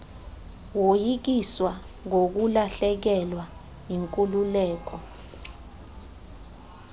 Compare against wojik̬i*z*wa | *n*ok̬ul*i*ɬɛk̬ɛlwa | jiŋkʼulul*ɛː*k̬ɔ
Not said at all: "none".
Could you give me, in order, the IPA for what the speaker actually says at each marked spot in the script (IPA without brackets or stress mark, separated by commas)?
s, ŋ, a, ɛː